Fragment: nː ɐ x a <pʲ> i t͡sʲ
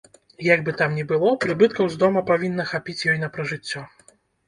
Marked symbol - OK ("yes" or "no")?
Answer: yes